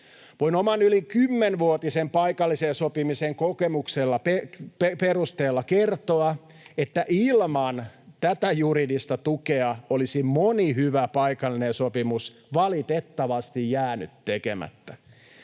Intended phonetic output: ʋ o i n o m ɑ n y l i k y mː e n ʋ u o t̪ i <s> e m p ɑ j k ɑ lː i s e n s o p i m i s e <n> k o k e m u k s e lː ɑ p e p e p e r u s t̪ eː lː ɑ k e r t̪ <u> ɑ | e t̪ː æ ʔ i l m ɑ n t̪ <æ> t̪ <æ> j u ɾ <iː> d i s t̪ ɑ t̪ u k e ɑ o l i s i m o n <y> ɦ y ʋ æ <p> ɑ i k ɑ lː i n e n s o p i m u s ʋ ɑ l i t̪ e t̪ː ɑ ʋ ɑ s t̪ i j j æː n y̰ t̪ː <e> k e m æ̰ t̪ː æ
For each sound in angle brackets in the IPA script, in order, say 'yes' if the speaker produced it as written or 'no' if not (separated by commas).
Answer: yes, no, no, yes, yes, no, no, yes, yes